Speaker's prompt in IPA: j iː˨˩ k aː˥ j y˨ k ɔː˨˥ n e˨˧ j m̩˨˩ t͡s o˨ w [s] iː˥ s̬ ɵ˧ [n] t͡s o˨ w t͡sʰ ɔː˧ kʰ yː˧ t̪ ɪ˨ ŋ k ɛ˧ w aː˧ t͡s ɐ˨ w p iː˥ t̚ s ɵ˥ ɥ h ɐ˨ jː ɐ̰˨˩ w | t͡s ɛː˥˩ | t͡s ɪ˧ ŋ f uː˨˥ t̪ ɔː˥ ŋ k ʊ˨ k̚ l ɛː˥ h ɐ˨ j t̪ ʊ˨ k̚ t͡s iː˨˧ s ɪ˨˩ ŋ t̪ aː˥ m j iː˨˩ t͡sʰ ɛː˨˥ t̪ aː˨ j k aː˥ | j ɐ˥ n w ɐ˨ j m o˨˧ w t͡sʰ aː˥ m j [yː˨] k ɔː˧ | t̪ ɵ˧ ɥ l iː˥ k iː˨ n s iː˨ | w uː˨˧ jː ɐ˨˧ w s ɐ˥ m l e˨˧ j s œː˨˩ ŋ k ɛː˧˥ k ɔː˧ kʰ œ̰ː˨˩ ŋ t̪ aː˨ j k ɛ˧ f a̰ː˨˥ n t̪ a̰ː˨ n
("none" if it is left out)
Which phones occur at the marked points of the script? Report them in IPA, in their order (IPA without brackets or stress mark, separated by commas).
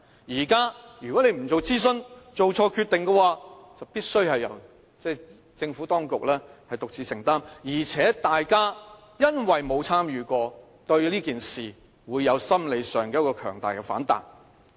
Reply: t͡s, n, yː˨